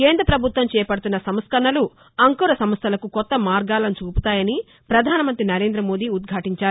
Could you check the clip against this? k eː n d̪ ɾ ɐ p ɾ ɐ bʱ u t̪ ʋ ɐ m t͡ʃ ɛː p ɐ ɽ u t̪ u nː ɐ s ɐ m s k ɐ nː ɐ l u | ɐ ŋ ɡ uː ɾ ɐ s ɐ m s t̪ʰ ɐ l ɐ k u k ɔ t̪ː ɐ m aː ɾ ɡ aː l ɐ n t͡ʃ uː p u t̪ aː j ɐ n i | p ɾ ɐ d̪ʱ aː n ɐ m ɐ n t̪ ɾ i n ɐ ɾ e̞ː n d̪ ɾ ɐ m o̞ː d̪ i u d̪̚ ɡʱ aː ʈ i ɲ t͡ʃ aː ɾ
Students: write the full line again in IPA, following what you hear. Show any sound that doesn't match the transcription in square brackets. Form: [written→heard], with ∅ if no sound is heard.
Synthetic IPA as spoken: k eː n d̪ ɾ ɐ p ɾ ɐ bʱ u t̪ ʋ ɐ m t͡ʃ ɛː p ɐ ɽ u t̪ u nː ɐ s ɐ m s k ɐ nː ɐ l u | ɐ ŋ [ɡ→k] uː ɾ ɐ s ɐ m s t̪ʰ ɐ l ɐ k u k ɔ t̪ː ɐ m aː ɾ ɡ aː l ɐ n t͡ʃ uː p u t̪ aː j ɐ n i | p ɾ ɐ d̪ʱ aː n ɐ m ɐ n t̪ ɾ i n ɐ ɾ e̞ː n d̪ ɾ ɐ m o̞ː d̪ i u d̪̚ ɡʱ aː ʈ i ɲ t͡ʃ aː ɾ